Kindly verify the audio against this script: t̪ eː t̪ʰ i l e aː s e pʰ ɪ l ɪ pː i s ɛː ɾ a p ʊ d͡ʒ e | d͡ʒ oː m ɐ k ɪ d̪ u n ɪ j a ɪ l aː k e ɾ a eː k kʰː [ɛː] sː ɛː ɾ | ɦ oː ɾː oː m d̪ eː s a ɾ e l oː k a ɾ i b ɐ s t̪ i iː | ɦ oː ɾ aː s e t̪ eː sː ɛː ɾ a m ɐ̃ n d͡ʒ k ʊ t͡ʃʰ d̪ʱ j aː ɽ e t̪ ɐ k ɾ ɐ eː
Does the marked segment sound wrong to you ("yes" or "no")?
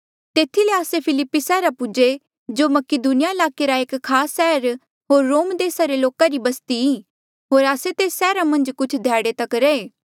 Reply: yes